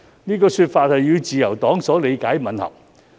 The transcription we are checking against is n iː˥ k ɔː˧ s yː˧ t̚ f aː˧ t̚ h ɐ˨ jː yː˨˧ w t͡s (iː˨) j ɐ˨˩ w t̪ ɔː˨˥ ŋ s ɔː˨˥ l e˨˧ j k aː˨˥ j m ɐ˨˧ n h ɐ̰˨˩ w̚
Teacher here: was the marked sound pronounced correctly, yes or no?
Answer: yes